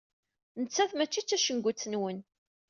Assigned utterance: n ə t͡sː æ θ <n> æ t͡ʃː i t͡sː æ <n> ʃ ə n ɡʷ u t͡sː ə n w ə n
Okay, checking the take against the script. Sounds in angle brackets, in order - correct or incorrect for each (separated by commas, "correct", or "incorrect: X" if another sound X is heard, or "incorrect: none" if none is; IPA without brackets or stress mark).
incorrect: m, incorrect: none